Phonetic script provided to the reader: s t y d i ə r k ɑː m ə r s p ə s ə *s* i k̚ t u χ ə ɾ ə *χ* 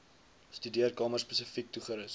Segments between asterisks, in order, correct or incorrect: incorrect: f, incorrect: s

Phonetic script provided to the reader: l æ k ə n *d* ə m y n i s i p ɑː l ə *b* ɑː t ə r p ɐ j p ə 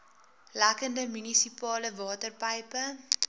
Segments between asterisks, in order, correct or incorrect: correct, incorrect: v

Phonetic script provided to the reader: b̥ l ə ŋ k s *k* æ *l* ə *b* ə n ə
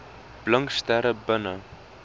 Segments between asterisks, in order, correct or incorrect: incorrect: t, incorrect: ɾ, correct

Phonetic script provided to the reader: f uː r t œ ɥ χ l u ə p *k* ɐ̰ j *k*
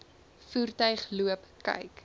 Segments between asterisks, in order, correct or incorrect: correct, correct

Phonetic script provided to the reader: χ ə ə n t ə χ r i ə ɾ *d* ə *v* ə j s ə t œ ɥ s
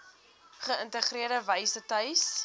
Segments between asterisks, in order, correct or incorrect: correct, correct

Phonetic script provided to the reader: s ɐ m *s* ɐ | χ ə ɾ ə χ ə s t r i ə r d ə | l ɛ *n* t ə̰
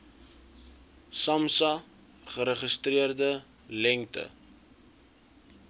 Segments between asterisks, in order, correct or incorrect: correct, incorrect: ŋ

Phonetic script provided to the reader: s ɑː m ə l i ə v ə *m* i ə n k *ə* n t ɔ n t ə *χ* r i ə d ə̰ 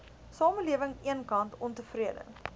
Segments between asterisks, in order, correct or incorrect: incorrect: ŋ, incorrect: ɐ, incorrect: f

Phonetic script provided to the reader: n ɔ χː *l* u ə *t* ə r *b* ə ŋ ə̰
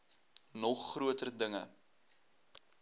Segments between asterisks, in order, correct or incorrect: incorrect: r, correct, incorrect: d

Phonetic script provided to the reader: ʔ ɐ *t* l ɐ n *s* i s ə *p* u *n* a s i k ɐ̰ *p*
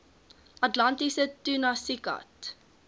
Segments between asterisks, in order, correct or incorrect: correct, incorrect: t, incorrect: t, correct, incorrect: t

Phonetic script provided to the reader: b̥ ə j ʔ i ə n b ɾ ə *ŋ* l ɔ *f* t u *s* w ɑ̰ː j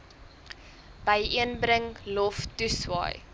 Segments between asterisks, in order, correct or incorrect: correct, correct, correct

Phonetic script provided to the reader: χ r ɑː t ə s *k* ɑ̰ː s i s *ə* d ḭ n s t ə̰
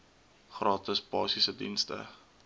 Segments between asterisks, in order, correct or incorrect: incorrect: p, correct

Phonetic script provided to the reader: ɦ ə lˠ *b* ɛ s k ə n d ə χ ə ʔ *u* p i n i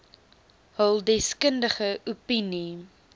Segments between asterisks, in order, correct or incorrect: incorrect: d, correct

